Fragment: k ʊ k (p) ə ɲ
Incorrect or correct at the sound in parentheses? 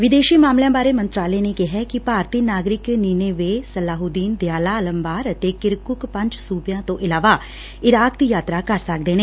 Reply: correct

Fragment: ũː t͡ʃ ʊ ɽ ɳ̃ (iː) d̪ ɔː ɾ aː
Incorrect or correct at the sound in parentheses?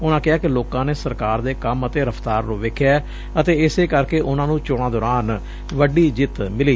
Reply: incorrect: aː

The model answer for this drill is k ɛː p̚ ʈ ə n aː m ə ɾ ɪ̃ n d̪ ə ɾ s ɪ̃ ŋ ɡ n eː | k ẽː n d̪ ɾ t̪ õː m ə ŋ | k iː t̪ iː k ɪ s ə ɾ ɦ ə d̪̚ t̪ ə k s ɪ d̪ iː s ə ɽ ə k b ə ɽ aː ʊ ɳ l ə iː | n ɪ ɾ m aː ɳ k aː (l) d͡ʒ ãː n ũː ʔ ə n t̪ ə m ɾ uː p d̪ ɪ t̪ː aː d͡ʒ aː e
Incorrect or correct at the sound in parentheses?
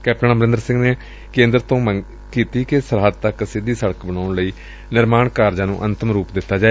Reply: incorrect: ɾ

